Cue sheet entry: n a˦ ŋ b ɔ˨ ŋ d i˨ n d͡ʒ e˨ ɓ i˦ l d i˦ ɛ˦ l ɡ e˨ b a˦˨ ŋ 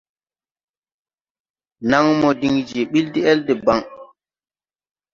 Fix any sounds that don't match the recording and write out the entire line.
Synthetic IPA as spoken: n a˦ ŋ m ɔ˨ d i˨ ŋ d͡ʒ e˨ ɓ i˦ l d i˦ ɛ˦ l d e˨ b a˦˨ ŋ